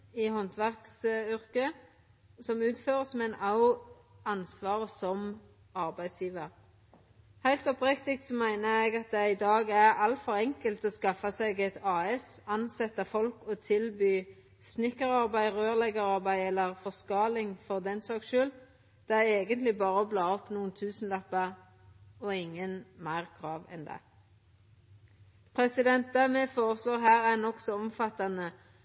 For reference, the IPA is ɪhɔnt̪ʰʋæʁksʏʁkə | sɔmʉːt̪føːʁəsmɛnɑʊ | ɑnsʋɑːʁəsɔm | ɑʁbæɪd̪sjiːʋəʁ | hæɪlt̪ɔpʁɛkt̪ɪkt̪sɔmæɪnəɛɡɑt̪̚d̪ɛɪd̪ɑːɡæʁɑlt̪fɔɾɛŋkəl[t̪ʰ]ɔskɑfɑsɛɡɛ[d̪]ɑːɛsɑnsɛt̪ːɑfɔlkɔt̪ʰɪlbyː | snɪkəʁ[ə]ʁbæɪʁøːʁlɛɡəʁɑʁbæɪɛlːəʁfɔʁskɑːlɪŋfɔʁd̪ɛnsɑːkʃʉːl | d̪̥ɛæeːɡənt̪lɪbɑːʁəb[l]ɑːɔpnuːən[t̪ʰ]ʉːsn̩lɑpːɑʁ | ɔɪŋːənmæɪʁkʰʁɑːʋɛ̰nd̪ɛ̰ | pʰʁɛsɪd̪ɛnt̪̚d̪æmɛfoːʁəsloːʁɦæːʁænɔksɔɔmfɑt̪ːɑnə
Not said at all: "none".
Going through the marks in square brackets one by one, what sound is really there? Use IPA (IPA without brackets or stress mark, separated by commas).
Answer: t̪, t̪, ɑ, l, t̪ʰ